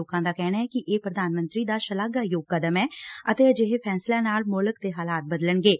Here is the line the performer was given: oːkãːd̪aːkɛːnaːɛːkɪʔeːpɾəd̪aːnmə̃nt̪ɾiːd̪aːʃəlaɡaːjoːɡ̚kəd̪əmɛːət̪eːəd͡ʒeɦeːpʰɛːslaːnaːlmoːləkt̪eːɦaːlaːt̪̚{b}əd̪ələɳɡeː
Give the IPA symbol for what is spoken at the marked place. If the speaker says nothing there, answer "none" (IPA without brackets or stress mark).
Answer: b